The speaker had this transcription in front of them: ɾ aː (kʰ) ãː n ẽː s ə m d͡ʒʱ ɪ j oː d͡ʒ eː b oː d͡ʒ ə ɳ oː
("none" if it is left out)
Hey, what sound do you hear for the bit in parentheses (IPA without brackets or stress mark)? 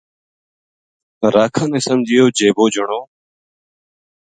kʰ